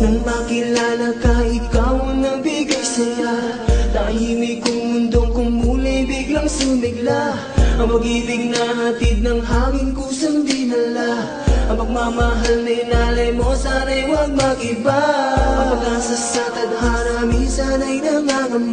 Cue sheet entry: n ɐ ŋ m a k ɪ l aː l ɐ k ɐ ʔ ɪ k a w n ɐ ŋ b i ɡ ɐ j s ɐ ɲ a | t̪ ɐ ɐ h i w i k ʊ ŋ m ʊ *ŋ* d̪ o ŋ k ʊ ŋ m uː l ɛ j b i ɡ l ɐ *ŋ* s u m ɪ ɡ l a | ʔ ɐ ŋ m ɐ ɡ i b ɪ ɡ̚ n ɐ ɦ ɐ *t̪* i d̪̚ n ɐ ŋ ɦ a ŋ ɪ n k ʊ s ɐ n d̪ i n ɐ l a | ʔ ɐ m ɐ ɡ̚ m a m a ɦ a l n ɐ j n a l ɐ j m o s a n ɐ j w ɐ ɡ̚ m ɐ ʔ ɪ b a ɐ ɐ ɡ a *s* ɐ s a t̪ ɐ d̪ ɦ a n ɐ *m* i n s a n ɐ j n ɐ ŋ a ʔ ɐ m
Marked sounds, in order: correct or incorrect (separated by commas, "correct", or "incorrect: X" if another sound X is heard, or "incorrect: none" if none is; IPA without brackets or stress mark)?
incorrect: n, correct, correct, correct, correct